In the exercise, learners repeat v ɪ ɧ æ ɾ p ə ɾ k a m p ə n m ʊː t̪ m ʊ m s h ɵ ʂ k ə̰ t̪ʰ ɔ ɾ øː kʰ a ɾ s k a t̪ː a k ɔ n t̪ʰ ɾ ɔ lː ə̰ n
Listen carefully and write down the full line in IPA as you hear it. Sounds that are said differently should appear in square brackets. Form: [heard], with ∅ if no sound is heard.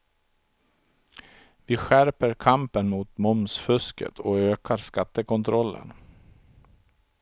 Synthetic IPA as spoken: v ɪ ɧ æ ɾ p ə ɾ [kʰ] a m p ə n m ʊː t̪ m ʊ m s [f] ɵ [s] k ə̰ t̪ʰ ɔ [∅] øː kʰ a ɾ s k a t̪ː [ə] k ɔ n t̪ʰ ɾ ɔ lː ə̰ n